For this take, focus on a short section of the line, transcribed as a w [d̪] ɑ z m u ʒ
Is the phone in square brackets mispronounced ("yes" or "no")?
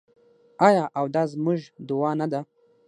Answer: no